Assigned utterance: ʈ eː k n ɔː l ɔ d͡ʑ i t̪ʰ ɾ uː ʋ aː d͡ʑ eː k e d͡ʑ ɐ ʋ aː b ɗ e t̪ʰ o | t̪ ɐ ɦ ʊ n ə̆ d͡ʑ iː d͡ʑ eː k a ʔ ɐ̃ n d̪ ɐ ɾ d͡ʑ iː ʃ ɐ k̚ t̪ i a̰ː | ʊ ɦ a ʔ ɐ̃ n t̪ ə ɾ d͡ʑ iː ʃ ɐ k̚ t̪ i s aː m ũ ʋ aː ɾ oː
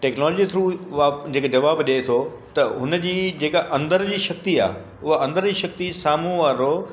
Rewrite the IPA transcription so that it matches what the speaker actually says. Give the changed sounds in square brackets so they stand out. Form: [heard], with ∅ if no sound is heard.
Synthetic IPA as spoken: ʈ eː k n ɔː l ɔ d͡ʑ i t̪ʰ ɾ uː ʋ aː d͡ʑ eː k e d͡ʑ ɐ ʋ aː b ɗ e t̪ʰ o | t̪ ɐ ɦ ʊ n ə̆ d͡ʑ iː d͡ʑ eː k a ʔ ɐ̃ n d̪ [ə] ɾ d͡ʑ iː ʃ ɐ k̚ t̪ i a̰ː | ʊ ɦ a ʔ ɐ̃ n [d̪] ə ɾ d͡ʑ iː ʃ ɐ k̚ t̪ i s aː m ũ ʋ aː ɾ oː